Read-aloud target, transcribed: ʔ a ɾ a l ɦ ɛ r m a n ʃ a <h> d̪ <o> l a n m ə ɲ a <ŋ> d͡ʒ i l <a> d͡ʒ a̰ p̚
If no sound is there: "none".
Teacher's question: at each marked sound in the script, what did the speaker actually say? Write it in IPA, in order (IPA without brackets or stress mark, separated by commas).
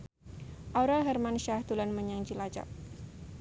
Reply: h, u, ŋ, a